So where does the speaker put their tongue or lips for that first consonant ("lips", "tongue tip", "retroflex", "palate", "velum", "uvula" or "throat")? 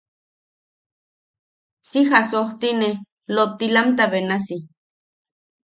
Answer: tongue tip